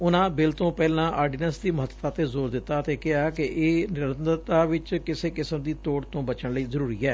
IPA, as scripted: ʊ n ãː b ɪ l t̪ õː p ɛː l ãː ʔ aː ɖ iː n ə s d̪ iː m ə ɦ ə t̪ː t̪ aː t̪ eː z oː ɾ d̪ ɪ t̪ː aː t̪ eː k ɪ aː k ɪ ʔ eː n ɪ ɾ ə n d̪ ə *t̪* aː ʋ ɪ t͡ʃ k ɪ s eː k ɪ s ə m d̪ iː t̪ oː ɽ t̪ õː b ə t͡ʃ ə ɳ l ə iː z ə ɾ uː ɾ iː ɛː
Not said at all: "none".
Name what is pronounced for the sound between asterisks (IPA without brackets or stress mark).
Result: t̪